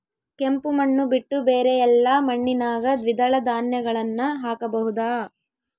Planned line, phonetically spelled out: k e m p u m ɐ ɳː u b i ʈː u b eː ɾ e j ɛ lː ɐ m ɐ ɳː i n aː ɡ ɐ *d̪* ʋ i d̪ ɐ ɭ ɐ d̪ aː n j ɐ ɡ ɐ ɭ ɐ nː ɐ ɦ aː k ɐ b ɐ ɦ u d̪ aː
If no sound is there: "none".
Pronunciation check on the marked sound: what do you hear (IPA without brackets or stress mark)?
d̪